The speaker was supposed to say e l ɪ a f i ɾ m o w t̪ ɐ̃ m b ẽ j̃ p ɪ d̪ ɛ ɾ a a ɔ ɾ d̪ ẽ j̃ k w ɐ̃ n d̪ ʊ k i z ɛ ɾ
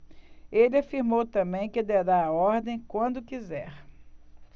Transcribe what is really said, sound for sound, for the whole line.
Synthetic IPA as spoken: e l ɪ a f i ɾ m o w t̪ ɐ̃ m b ẽ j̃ k ɪ d̪ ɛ ɾ a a ɔ ɾ d̪ ẽ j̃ k w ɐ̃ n d̪ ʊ k i z ɛ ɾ

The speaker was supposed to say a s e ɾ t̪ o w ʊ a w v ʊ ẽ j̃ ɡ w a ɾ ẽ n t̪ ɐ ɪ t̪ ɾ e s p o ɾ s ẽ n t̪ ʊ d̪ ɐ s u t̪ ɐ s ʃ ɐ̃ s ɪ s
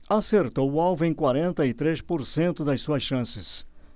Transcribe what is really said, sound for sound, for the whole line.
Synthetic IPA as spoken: a s e ɾ t̪ o w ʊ a w v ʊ ẽ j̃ k w a ɾ ẽ n t̪ ɐ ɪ t̪ ɾ e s p o ɾ s ẽ n t̪ ʊ d̪ ɐ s u ɐ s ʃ ɐ̃ s ɪ s

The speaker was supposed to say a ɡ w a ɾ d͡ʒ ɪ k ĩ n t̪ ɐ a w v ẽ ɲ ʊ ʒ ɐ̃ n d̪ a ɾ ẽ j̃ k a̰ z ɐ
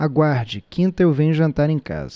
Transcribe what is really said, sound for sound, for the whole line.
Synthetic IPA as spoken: a ɡ w a ɾ d͡ʒ ɪ k ĩ n t̪ ɐ e w v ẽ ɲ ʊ ʒ ɐ̃ n t̪ a ɾ ẽ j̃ k a̰ z ɐ

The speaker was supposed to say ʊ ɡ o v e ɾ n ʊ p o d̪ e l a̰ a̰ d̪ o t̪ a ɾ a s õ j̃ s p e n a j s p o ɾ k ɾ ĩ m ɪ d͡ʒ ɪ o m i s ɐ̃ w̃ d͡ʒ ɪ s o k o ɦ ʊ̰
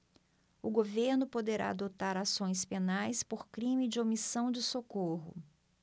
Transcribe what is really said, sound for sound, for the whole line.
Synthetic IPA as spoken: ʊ ɡ o v e ɾ n ʊ p o d̪ e ɾ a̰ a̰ d̪ o t̪ a ɾ a s õ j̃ s p e n a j s p o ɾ k ɾ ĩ m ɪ d͡ʒ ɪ o m i s ɐ̃ w̃ d͡ʒ ɪ s o k o ɦ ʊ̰

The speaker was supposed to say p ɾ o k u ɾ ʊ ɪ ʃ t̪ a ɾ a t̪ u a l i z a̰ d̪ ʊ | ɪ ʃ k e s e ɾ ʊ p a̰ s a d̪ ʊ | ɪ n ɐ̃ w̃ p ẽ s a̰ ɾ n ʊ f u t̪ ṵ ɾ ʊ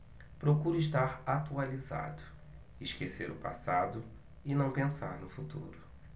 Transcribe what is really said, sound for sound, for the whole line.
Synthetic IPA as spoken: p ɾ o k u ɾ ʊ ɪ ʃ t̪ a ɾ a t̪ u a l i z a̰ d̪ ʊ | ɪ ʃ k e s e ɾ ʊ p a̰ s a d̪ ʊ | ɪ n ɐ̃ w̃ p ẽ s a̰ ɾ n ʊ f u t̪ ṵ ɾ ʊ

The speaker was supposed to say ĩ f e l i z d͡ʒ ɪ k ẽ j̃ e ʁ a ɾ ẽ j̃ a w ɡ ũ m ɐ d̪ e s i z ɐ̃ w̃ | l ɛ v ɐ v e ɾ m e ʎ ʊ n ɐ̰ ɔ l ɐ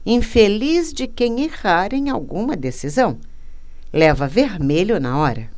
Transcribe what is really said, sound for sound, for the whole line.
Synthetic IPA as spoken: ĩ f e l i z d͡ʒ ɪ k ẽ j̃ e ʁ a ɾ ẽ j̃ a w ɡ ũ m ɐ d̪ e s i z ɐ̃ w̃ | l ɛ v ɐ v e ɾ m e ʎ ʊ n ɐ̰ ɔ ɾ ɐ

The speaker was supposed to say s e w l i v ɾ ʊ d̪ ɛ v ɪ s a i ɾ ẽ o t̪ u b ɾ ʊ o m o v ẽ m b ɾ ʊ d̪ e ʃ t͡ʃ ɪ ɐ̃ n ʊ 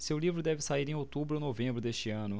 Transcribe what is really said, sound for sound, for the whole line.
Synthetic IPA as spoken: s e w l i v ɾ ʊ d̪ ɛ v ɪ s a i ɾ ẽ o t̪ u b ɾ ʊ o n o v ẽ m b ɾ ʊ d̪ e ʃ t͡ʃ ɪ ɐ̃ n ʊ

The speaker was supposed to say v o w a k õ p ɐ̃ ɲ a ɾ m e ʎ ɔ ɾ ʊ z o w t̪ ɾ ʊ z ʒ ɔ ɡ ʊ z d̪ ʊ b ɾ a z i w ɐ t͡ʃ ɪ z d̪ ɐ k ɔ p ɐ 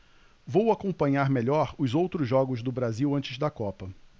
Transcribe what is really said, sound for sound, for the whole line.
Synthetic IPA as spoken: v o w a k õ p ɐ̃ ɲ a ɾ m e ʎ ɔ ɾ ʊ z o w t̪ ɾ ʊ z ʒ ɔ ɡ ʊ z d̪ ʊ b ɾ a z i w ɐ̃ t͡ʃ ɪ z d̪ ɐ k ɔ p ɐ

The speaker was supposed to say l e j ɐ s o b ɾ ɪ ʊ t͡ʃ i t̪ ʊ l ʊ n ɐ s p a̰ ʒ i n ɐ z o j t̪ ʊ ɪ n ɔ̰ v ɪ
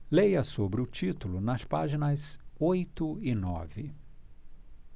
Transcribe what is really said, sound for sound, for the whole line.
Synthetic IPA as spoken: l e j ɐ s o b ɾ ɪ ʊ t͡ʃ i t̪ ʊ l ʊ n ɐ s p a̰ ʒ i n ɐ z o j t̪ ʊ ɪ n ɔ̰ v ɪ

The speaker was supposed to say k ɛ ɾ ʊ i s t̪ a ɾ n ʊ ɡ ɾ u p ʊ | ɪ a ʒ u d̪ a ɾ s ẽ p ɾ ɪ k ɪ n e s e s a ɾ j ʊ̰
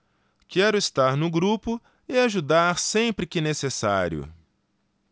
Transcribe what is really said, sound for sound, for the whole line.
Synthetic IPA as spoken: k ɛ ɾ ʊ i s t̪ a ɾ n ʊ ɡ ɾ u p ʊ | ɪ a ʒ u d̪ a ɾ s ẽ p ɾ ɪ k ɪ n e s e s a ɾ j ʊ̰

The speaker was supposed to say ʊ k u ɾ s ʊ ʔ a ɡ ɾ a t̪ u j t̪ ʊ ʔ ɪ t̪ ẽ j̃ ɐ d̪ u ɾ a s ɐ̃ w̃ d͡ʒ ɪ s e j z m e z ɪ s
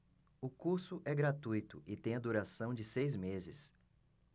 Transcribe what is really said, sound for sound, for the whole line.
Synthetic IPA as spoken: ʊ k u ɾ s ʊ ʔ ɛ ɡ ɾ a t̪ u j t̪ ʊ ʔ ɪ t̪ ẽ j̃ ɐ d̪ u ɾ a s ɐ̃ w̃ d͡ʒ ɪ s e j z m e z ɪ s

